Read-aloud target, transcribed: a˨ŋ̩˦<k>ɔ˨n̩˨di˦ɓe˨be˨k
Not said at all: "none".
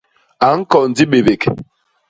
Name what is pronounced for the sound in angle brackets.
k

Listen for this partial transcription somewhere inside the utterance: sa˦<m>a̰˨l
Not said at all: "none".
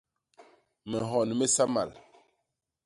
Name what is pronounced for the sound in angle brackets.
m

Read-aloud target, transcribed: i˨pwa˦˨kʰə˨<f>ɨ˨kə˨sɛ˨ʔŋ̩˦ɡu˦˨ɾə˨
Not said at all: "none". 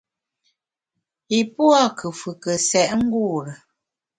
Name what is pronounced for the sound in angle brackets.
f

